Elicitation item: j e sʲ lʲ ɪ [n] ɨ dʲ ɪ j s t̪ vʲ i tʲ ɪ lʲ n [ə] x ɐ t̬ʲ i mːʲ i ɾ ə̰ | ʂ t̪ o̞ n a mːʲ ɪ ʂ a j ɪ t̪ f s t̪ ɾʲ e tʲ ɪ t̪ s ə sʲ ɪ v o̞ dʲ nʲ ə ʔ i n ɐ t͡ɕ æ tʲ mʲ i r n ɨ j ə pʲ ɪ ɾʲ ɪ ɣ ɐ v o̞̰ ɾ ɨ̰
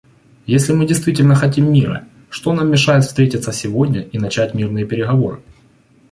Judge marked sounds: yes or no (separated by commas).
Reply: no, yes